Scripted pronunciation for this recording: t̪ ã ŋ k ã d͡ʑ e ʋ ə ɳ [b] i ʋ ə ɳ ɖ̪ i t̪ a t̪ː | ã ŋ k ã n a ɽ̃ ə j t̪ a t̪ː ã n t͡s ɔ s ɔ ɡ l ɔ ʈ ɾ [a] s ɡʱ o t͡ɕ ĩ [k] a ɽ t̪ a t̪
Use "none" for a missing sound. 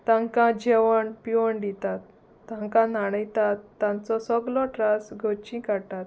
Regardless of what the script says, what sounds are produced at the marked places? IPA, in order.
p, a, k

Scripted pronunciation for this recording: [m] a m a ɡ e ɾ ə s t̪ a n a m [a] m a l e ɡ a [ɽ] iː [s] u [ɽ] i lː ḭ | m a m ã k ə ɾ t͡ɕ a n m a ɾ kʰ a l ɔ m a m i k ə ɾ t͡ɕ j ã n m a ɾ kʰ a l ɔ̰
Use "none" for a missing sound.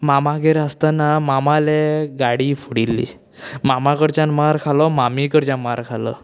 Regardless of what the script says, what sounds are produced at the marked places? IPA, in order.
m, a, ɽ, f, ɽ

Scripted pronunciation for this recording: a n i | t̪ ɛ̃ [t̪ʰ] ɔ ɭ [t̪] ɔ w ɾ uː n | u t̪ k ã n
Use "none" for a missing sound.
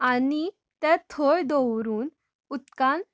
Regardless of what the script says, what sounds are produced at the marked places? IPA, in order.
t̪ʰ, d̪

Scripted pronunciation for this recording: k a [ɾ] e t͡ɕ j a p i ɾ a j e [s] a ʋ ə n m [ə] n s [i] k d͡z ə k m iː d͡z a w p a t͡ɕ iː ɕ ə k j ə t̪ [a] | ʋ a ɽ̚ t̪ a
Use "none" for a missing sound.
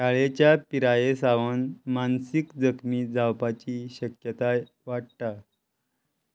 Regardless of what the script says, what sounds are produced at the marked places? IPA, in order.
ɭ, s, a, i, a

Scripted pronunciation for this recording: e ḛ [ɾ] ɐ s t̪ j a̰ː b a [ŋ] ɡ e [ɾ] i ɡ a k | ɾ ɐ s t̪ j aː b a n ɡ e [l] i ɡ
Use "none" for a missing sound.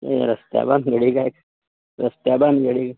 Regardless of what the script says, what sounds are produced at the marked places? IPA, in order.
ɾ, n, ɽ, ɽ

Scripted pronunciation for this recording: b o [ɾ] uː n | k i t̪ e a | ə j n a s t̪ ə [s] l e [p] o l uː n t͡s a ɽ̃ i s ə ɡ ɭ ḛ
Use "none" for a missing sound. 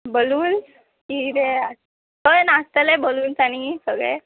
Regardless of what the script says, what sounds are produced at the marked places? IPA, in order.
l, none, b

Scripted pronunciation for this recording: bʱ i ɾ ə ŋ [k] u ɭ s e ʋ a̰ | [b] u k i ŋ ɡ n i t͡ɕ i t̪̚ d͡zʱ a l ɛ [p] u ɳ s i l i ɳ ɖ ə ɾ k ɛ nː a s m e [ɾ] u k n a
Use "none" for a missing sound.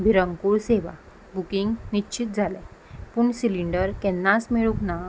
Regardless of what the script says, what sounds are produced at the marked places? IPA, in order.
k, b, p, ɭ

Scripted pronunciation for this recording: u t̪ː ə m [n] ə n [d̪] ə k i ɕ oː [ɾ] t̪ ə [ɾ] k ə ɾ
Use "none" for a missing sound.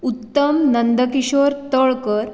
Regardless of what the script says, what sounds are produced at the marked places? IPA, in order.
n, d̪, ɾ, ɭ

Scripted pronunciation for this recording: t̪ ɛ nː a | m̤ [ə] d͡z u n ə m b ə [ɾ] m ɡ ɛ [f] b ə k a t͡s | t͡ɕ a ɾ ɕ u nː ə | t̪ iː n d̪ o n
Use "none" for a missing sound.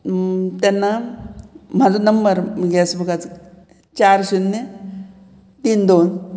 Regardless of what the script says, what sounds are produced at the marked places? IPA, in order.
a, ɾ, s

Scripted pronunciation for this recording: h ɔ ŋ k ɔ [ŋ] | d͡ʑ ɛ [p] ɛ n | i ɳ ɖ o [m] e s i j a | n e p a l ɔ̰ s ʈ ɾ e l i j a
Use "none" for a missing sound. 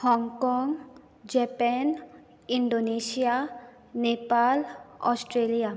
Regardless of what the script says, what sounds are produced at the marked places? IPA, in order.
ŋ, p, n

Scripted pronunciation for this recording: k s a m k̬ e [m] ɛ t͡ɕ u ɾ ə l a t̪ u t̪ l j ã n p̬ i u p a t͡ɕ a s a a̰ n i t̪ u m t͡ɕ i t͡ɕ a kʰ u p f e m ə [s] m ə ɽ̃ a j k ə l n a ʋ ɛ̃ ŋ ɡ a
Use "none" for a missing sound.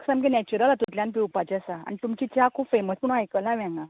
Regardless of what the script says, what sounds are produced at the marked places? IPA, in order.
n, s

